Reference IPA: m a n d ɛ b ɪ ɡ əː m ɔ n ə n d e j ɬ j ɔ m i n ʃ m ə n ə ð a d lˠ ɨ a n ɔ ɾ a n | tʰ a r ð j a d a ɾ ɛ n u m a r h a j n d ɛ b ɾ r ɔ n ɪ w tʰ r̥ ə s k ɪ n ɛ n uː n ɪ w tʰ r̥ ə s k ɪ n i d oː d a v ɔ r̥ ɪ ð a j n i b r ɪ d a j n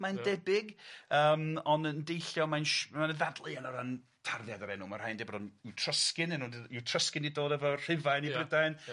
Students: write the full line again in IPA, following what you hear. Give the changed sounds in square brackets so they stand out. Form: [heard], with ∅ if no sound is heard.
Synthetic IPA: m a n d ɛ b ɪ ɡ əː m ɔ n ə n d e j ɬ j ɔ m [a] n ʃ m [a] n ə ð a d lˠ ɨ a n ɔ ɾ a n | tʰ a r ð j a d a ɾ ɛ n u m a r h a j n d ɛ b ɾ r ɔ n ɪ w tʰ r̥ ə s k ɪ n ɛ n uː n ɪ w tʰ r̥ ə s k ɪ n i d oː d [ɛ] v ɔ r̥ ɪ [v] a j n i b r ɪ d a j n

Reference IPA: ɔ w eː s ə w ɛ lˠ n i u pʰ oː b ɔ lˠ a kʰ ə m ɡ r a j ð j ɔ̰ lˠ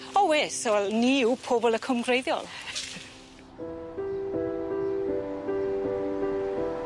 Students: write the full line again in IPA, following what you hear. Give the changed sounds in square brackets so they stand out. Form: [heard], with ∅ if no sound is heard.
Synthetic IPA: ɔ w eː s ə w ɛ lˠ n i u pʰ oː b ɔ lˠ [ə] kʰ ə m ɡ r [e] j ð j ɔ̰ lˠ

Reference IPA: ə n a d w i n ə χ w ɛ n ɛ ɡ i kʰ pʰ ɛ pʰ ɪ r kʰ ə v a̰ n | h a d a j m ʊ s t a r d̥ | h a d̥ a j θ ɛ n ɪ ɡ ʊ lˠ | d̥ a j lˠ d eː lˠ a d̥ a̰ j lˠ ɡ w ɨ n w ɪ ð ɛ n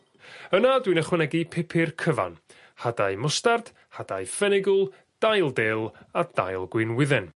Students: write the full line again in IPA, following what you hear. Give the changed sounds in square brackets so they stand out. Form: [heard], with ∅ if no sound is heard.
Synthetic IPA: ə n a d w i n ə χ w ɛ n ɛ ɡ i [∅] pʰ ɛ pʰ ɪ r kʰ ə v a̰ n | h a d a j m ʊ s t a r d̥ | h a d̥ a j [f] ɛ n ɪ ɡ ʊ lˠ | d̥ a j lˠ d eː lˠ a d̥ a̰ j lˠ ɡ w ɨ n w ɪ ð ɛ n

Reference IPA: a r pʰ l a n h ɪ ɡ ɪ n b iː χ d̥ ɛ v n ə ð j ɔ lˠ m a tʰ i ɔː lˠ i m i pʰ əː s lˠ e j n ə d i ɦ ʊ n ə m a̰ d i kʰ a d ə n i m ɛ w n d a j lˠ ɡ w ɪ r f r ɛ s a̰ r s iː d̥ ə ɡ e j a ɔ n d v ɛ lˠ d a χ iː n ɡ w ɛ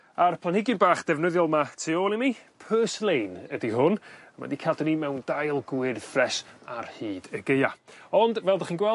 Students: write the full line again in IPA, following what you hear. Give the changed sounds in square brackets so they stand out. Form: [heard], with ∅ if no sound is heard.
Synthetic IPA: a r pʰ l a n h ɪ ɡ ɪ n b [aː] χ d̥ ɛ v n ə ð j ɔ lˠ m a tʰ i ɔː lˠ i m i pʰ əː s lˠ e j n ə d i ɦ ʊ n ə m a̰ d i kʰ a d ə n i m ɛ w n d a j lˠ ɡ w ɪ r f r ɛ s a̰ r [h] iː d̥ ə ɡ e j a ɔ n d v ɛ lˠ d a χ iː n ɡ w ɛ

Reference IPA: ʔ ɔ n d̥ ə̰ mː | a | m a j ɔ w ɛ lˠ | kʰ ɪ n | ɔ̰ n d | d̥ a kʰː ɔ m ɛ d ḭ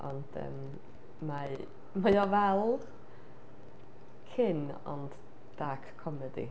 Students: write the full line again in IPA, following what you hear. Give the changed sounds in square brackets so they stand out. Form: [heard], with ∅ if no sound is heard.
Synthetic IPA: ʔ ɔ n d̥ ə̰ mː | a | m a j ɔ [v] ɛ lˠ | kʰ ɪ n | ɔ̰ n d | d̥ a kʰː ɔ m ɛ d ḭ

